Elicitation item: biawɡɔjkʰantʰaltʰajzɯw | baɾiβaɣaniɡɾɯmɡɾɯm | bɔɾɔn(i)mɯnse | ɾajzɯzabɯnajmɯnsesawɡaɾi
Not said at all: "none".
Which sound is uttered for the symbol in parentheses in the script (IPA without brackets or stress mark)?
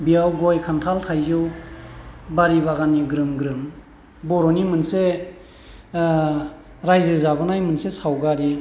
i